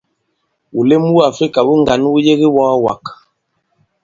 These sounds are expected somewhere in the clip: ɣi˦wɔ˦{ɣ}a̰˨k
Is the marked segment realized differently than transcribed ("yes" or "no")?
yes